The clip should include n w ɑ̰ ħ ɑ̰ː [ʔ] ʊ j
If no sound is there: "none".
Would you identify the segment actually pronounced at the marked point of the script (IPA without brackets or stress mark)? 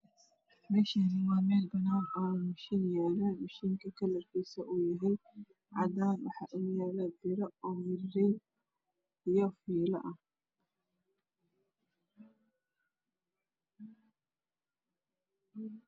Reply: ʔ